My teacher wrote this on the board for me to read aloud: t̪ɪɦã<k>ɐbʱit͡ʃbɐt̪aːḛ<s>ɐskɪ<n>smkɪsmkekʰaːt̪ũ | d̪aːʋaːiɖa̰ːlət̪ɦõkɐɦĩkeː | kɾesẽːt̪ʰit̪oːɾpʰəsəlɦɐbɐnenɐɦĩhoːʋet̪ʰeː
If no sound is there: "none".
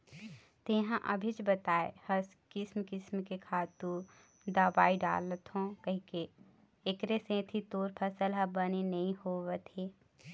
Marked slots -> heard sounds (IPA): ʔ, h, none

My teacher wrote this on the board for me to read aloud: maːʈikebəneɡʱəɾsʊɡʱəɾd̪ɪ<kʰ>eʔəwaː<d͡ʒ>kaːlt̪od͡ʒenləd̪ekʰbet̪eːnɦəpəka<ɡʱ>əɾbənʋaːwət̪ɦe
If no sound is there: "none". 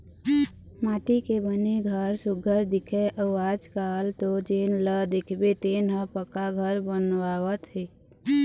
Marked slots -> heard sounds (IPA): kʰ, d͡ʒ, ɡʱ

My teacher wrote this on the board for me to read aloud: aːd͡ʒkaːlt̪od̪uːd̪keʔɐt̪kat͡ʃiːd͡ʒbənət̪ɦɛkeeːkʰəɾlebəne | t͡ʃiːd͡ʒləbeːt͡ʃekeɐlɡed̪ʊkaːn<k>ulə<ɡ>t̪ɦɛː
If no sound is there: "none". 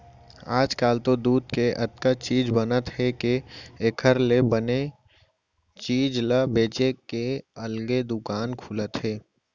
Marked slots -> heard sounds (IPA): kʰ, none

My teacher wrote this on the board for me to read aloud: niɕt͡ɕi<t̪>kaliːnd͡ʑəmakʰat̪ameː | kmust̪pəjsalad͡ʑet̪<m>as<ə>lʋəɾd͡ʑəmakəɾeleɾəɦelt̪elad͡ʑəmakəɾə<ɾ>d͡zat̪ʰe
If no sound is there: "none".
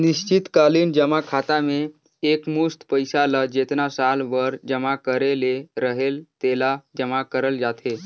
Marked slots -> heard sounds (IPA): t̪, n, a, l

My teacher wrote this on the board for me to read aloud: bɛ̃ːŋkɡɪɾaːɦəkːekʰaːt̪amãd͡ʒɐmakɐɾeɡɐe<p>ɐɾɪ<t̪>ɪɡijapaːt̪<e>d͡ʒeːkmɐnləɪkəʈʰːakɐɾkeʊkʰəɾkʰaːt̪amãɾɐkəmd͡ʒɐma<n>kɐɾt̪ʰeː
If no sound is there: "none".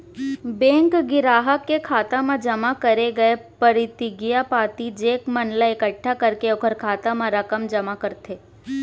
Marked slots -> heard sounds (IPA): p, t̪, i, none

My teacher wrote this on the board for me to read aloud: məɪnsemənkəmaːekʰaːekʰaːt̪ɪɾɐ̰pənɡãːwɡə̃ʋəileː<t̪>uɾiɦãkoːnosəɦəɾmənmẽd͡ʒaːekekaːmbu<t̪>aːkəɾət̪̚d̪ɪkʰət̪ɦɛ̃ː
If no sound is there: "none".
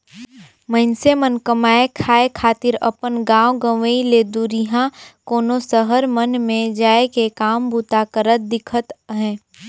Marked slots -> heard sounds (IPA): d̪, t̪

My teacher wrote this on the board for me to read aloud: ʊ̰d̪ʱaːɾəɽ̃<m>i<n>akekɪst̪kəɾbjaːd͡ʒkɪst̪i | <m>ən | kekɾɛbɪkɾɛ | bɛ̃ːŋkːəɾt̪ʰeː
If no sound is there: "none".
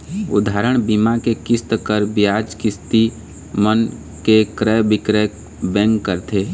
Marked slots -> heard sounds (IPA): b, m, m

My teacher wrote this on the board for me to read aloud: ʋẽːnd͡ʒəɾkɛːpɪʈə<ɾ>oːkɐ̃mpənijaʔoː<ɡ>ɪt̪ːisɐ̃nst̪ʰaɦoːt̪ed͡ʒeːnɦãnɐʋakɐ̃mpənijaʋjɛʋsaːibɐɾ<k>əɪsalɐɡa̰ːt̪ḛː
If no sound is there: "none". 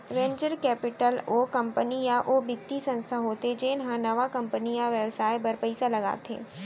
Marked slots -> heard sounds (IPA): l, b, p

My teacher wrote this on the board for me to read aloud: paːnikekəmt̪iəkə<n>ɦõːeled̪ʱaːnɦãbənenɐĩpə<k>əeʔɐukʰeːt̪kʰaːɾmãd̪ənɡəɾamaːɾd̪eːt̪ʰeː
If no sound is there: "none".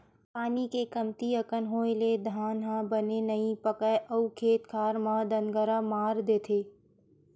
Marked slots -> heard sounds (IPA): n, k

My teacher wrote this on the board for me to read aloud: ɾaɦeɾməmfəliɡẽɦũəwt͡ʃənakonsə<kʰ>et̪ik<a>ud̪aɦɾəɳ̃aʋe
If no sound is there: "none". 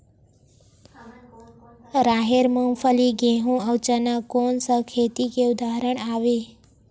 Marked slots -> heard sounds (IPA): kʰ, e

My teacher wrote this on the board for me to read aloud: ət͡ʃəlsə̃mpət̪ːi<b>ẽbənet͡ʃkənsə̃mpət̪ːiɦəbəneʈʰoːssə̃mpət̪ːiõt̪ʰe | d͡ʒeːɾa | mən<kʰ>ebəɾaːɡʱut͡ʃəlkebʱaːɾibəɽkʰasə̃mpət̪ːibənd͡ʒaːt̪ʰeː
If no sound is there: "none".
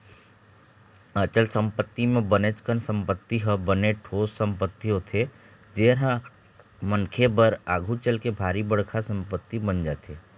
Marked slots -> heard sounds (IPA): m, kʰ

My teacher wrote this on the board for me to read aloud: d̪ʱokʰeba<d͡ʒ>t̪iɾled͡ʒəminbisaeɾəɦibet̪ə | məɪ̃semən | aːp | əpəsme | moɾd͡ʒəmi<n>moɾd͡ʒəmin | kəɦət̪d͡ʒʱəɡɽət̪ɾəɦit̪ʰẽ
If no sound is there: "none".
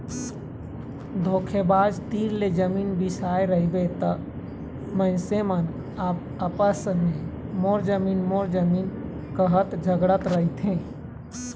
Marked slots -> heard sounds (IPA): d͡ʒ, n

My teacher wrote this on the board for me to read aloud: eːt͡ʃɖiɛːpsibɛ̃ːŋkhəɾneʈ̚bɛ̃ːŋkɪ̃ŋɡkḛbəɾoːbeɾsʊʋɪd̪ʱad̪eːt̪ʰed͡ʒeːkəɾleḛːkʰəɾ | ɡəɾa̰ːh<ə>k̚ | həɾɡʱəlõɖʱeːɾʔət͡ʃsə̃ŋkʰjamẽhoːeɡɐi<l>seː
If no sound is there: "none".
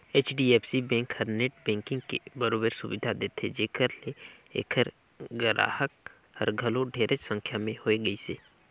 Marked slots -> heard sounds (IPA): ə, none

